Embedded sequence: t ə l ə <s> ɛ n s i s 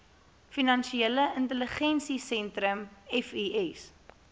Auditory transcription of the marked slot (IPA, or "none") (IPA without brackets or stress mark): χ